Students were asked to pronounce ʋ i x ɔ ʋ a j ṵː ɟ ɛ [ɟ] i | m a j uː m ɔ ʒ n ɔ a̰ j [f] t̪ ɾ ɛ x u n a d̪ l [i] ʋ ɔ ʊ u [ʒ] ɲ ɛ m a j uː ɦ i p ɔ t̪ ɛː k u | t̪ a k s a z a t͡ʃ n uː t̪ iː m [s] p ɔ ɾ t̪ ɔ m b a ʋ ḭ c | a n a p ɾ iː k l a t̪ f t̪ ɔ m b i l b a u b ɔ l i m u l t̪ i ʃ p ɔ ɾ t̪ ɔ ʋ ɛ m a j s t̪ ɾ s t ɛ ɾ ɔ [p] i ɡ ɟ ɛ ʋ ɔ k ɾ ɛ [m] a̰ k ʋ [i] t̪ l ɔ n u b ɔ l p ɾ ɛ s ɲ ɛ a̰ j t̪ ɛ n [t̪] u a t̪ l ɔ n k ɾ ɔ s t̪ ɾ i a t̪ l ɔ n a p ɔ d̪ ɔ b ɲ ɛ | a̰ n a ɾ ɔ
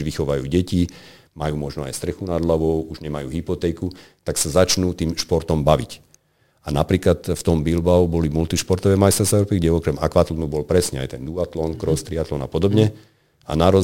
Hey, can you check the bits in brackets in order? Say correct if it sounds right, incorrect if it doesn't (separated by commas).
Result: incorrect, incorrect, incorrect, correct, incorrect, correct, correct, incorrect, incorrect